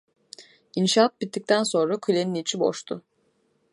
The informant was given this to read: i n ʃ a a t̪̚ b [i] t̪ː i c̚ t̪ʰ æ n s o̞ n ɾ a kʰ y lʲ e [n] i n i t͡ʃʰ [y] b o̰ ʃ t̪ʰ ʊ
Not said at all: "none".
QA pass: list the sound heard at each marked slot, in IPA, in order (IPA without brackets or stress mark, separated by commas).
i, n, i